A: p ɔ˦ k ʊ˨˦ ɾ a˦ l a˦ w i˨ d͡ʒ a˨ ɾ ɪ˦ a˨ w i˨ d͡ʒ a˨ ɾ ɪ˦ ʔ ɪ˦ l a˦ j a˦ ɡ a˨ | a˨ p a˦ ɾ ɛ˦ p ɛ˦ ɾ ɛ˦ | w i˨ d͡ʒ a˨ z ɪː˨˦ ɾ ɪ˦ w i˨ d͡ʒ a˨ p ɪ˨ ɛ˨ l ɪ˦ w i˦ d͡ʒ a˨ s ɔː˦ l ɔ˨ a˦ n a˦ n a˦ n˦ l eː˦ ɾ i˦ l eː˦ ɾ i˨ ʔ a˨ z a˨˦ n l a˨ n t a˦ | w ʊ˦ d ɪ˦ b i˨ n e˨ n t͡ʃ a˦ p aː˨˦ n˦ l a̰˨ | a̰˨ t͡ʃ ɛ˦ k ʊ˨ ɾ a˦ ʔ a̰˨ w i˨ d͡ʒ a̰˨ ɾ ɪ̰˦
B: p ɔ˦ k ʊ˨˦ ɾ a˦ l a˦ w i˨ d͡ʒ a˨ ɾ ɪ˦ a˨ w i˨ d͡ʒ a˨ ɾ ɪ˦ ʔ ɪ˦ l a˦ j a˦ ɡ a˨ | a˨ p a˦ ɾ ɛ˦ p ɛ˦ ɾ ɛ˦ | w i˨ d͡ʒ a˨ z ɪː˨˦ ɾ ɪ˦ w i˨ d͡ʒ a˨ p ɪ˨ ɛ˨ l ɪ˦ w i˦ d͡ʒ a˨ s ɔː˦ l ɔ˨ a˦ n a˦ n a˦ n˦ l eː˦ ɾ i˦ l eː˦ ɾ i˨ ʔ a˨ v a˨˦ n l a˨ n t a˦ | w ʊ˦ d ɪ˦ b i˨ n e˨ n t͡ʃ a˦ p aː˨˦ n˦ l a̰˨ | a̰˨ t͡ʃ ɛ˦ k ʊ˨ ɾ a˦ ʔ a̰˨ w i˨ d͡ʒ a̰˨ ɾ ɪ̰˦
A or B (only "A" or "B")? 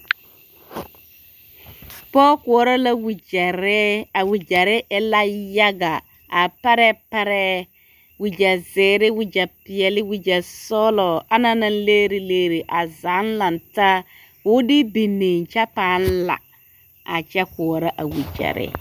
A